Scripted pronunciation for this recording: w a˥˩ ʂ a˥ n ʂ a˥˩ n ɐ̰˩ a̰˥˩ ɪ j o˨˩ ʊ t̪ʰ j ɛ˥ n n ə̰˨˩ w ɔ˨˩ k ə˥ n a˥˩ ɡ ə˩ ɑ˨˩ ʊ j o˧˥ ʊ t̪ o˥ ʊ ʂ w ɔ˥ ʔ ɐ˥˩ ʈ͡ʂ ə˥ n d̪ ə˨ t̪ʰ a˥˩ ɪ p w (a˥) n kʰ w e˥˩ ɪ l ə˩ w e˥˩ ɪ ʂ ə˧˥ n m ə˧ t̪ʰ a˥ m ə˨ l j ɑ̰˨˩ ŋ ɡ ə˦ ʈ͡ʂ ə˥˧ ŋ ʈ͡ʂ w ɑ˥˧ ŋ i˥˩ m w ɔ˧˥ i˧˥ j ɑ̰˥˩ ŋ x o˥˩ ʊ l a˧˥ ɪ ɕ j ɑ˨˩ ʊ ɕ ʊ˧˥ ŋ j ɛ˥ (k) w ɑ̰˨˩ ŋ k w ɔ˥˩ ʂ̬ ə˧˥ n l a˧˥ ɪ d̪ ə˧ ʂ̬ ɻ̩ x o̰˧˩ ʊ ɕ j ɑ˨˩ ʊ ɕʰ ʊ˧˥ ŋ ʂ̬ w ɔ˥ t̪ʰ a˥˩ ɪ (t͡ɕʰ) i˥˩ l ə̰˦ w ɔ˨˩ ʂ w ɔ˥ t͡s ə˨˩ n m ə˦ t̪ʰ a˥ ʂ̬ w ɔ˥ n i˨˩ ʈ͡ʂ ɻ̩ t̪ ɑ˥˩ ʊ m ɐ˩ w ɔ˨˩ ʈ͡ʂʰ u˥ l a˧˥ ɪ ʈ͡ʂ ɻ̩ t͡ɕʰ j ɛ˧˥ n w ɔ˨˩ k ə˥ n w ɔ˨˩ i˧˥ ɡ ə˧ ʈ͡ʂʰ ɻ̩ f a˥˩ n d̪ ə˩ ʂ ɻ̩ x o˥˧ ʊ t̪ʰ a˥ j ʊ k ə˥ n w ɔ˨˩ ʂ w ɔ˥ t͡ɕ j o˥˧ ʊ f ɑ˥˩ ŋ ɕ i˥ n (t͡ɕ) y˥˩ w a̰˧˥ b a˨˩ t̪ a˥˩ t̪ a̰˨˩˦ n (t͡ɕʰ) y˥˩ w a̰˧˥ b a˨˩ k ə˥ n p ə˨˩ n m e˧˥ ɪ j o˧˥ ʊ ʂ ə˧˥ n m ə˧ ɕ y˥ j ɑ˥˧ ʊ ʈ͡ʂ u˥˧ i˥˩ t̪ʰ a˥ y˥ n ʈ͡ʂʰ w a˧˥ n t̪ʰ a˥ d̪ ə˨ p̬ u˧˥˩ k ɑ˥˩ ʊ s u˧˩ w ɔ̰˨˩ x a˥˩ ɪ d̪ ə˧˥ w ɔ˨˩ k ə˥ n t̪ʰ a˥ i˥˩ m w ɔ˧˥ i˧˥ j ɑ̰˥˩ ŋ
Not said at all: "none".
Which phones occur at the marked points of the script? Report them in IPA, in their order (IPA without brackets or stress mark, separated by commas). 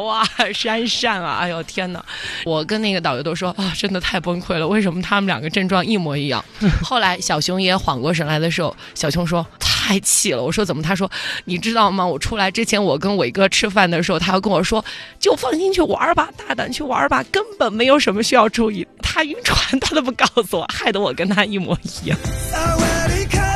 ə˥, x, t͡ɕʰ, t͡ɕʰ, t͡ɕʰ